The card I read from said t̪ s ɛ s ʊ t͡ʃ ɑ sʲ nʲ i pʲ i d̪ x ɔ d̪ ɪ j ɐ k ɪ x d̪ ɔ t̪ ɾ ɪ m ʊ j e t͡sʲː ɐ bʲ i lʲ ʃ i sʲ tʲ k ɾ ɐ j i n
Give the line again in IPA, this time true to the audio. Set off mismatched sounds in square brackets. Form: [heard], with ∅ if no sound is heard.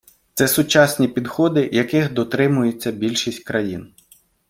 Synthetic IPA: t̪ s ɛ s ʊ t͡ʃ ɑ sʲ nʲ i pʲ i d̪ x ɔ d̪ ɪ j ɐ k ɪ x d̪ ɔ t̪ ɾ ɪ m ʊ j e t͡sʲː ɐ bʲ i lʲ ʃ i sʲ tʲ k ɾ ɐ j i n